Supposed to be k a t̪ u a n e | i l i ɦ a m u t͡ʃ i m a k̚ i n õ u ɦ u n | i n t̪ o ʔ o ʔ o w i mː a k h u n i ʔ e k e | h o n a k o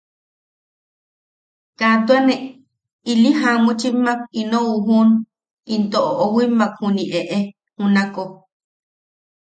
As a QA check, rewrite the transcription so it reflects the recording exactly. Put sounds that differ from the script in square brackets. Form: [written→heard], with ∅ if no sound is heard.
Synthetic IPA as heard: k a t̪ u a n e | i l i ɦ a m u t͡ʃ i m a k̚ i n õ u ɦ u n | i n t̪ o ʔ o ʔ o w i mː a k h u n i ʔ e [k→ʔ] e | h [o→u] n a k o